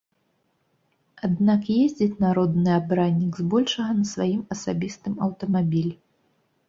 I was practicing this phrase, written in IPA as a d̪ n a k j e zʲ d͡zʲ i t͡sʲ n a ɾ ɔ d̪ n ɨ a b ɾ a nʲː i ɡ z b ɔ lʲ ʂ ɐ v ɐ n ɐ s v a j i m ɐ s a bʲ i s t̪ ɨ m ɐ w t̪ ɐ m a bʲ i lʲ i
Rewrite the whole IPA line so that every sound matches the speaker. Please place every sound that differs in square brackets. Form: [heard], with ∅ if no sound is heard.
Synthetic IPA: a d̪ n a k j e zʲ d͡zʲ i t͡sʲ n a ɾ ɔ d̪ n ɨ a b ɾ a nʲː i ɡ z b ɔ lʲ ʂ ɐ [ɣ] ɐ n ɐ s v a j i m ɐ s a bʲ i s t̪ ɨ m ɐ w t̪ ɐ m a bʲ i lʲ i

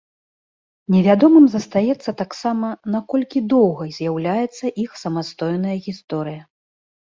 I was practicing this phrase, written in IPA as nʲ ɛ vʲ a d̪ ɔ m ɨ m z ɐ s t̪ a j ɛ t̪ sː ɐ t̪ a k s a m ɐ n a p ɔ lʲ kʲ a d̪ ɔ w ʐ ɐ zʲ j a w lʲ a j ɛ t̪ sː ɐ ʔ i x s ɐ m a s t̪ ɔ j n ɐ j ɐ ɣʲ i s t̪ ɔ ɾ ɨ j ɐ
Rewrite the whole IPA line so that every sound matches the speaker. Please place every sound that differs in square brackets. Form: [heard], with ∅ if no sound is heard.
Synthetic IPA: nʲ ɛ vʲ a d̪ ɔ m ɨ m z ɐ s t̪ a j ɛ t̪ sː ɐ t̪ a k s a m ɐ n a [k] ɔ lʲ kʲ [i] d̪ ɔ w [ɣ] ɐ zʲ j a w lʲ a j ɛ t̪ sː ɐ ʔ i x s ɐ m a s t̪ ɔ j n ɐ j ɐ ɣʲ i s t̪ ɔ ɾ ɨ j ɐ

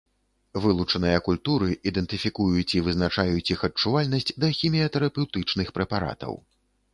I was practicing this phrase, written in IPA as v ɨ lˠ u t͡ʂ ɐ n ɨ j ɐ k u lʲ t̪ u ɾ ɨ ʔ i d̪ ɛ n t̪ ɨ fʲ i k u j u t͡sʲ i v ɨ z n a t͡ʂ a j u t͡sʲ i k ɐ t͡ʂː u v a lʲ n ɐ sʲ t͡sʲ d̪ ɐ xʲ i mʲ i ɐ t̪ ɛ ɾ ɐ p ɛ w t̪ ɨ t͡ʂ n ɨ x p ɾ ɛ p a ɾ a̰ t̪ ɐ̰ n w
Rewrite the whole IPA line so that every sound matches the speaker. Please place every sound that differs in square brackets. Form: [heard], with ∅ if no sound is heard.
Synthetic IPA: v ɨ lˠ u t͡ʂ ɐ n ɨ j ɐ k u lʲ t̪ u ɾ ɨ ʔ i d̪ ɛ n t̪ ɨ fʲ i k u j u t͡sʲ i v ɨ z n a t͡ʂ a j u t͡sʲ i [x] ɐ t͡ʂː u v a lʲ n ɐ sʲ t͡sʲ d̪ ɐ xʲ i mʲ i ɐ t̪ ɛ ɾ ɐ p ɛ w t̪ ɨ t͡ʂ n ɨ x p ɾ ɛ p a ɾ a̰ t̪ ɐ̰ [∅] w

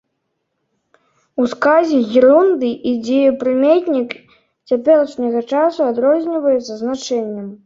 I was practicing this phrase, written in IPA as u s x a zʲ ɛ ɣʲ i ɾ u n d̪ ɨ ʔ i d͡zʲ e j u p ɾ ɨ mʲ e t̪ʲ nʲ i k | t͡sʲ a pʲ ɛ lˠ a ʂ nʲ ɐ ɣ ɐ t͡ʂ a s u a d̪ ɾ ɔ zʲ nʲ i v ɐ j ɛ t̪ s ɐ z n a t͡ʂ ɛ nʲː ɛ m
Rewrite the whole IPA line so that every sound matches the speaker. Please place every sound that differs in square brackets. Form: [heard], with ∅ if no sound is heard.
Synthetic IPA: u s [k] a zʲ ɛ ɣʲ i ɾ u n d̪ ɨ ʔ i d͡zʲ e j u p ɾ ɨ mʲ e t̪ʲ nʲ i k | t͡sʲ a pʲ ɛ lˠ [ɐ] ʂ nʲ ɐ ɣ ɐ t͡ʂ a s u a d̪ ɾ ɔ zʲ nʲ i v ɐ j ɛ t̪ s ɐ z n a t͡ʂ ɛ nʲː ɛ m

